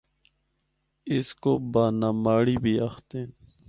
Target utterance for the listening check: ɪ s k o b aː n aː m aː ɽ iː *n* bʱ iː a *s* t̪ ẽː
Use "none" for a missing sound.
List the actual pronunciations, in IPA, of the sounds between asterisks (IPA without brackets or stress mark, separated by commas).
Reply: none, x